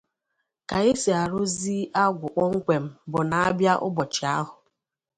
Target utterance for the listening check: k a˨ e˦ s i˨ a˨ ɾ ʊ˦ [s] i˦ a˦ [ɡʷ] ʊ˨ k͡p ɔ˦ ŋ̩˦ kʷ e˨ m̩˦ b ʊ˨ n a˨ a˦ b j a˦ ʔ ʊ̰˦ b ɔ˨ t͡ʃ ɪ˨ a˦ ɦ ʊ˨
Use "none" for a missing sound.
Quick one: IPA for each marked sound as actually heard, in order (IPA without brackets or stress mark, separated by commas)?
z, ɡʷ